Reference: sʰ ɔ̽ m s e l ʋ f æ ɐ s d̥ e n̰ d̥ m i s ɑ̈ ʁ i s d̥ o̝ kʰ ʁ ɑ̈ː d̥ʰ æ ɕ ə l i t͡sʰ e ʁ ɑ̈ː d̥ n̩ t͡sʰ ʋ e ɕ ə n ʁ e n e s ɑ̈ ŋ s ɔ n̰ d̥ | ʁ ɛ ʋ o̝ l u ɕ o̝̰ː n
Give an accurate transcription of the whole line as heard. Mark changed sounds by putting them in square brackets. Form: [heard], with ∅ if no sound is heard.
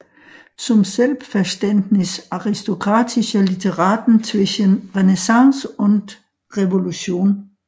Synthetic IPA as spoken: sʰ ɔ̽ m s e l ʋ f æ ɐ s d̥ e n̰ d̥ [n] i s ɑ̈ ʁ i s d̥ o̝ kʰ ʁ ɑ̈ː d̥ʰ [i] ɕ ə l i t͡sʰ e ʁ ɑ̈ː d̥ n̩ t͡sʰ ʋ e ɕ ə n ʁ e n e s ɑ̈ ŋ s ɔ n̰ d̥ | ʁ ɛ ʋ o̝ l u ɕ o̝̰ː n

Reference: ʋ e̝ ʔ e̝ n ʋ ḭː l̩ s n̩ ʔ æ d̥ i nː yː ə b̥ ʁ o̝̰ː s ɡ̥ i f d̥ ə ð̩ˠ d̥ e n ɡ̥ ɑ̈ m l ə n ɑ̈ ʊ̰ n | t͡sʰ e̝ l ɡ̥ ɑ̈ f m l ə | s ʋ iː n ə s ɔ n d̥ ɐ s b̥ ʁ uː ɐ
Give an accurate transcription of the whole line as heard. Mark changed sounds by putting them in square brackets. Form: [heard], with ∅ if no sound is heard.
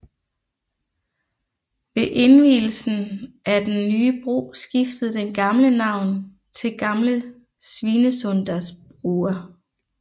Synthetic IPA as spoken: ʋ e̝ ʔ e̝ n ʋ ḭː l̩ s n̩ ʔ æ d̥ [e] nː yː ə b̥ ʁ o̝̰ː s ɡ̥ i f d̥ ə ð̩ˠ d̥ e n ɡ̥ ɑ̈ m l ə n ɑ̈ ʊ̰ n | t͡sʰ e̝ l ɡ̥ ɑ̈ [∅] m l ə | s ʋ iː n ə s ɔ n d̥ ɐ s b̥ ʁ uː ɐ

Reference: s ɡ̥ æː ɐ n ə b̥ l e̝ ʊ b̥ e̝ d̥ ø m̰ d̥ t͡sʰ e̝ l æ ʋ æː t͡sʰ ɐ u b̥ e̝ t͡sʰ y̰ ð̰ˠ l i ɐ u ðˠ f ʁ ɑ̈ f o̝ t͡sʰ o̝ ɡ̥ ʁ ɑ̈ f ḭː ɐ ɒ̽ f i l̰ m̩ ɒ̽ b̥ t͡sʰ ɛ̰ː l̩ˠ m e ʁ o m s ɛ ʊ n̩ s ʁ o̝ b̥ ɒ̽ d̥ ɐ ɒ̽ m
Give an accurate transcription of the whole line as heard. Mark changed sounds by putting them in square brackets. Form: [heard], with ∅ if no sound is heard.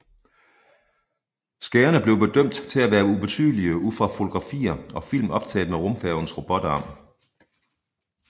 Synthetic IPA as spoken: s ɡ̥ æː ɐ n ə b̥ l e̝ ʊ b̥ e̝ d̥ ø m̰ d̥ t͡sʰ e̝ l æ ʋ æː [∅] ɐ u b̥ e̝ t͡sʰ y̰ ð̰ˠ l i [ə] u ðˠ f ʁ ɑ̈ f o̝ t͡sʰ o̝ ɡ̥ ʁ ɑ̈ f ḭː ɐ ɒ̽ f i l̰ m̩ ɒ̽ b̥ t͡sʰ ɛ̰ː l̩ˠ m e ʁ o m [f] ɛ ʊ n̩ s ʁ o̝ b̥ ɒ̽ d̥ ɐ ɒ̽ m

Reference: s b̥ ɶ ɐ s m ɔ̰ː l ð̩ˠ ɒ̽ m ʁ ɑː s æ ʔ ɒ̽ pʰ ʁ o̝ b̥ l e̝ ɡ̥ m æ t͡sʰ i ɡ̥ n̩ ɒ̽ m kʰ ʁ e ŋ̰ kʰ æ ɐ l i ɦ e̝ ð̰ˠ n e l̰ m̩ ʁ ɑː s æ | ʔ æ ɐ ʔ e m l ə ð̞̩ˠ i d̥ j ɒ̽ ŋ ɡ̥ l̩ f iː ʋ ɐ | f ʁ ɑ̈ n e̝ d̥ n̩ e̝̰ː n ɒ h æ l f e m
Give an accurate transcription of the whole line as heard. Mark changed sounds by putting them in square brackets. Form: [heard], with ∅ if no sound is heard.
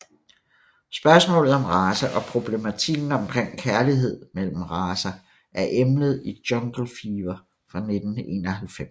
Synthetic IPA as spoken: s b̥ ɶ ɐ s m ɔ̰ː l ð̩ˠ ɒ̽ m ʁ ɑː s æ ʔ ɒ̽ pʰ ʁ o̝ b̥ l e̝ [∅] m æ t͡sʰ i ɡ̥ n̩ ɒ̽ m kʰ ʁ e ŋ̰ kʰ æ ɐ l i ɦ e̝ ð̰ˠ [m] e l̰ m̩ ʁ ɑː s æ | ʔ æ ɐ ʔ e m l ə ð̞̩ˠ i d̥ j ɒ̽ ŋ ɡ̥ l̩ f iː ʋ ɐ | f ʁ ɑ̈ n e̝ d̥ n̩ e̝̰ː n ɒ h æ l f e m

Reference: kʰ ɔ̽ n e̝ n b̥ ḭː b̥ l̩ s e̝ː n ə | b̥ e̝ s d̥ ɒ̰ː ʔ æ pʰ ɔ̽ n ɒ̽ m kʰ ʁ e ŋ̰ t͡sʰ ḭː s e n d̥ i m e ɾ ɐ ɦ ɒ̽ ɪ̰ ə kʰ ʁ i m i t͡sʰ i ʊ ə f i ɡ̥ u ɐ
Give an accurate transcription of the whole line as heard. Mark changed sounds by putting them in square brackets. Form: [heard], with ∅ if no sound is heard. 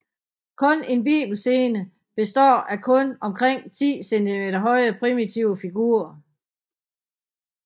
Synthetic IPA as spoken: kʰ ɔ̽ n e̝ n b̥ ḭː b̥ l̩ s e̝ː n ə | b̥ e̝ s d̥ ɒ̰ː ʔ æ [kʰ] ɔ̽ n ɒ̽ m kʰ ʁ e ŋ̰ t͡sʰ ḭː s e n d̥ i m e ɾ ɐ ɦ ɒ̽ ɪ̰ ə [pʰ] ʁ i m i t͡sʰ i ʊ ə f i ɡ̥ u ɐ

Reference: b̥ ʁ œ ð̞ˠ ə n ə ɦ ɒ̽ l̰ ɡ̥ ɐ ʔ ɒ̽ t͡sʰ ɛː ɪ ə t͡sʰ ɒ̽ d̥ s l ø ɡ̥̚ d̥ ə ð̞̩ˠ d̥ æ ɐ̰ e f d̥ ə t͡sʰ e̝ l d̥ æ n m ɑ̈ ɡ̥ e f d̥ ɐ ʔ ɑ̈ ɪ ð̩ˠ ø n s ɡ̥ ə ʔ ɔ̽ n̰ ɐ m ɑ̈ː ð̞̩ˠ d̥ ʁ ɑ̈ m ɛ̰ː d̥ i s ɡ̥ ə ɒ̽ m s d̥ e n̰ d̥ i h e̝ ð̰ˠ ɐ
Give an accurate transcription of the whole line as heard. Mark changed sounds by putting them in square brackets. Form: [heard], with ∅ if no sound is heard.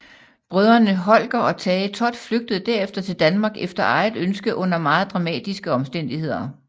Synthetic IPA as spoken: b̥ ʁ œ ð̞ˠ [ɐ] n ə ɦ ɒ̽ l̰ ɡ̥ ɐ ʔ ɒ̽ t͡sʰ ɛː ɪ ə t͡sʰ ɒ̽ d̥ [f] l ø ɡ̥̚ d̥ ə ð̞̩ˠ d̥ æ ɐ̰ e f d̥ [ɐ] t͡sʰ e̝ l d̥ æ n m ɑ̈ ɡ̥ e f d̥ ɐ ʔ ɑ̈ ɪ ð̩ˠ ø n s ɡ̥ ə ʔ ɔ̽ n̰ ɐ m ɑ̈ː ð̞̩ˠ d̥ ʁ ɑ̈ m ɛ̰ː d̥ i s ɡ̥ ə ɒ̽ m s d̥ e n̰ d̥ i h e̝ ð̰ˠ ɐ

